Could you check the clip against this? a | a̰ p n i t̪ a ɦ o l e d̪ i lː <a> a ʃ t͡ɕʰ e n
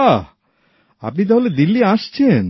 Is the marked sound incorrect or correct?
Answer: incorrect